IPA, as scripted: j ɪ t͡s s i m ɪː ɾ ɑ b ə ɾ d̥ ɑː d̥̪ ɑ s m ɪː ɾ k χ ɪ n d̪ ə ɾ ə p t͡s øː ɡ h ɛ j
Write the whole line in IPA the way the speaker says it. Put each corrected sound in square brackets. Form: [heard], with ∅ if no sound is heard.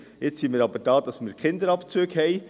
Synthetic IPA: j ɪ t͡s s i m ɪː ɾ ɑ b ə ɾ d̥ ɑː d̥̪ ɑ s m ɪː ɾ k χ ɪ n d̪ ə ɾ [ɑ] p t͡s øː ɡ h ɛ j